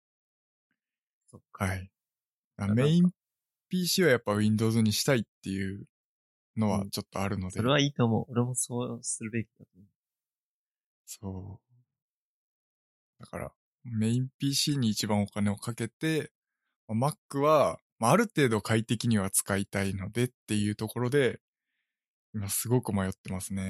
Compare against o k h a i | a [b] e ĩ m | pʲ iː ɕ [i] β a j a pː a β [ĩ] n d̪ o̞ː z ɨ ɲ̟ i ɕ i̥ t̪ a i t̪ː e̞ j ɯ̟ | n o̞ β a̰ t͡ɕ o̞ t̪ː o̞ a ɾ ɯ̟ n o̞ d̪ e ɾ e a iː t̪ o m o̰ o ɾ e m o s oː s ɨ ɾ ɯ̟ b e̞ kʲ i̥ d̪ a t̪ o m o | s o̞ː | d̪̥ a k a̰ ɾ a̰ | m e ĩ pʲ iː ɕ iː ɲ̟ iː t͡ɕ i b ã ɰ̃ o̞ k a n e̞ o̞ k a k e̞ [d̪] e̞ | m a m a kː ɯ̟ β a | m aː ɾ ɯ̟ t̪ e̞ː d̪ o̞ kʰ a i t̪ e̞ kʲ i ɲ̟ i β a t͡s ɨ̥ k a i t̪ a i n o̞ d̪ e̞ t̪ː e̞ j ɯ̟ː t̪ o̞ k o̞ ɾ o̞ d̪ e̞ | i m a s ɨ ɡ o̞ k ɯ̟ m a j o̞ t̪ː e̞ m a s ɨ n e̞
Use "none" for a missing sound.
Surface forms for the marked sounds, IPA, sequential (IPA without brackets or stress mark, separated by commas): m, iː, ĩ, t̪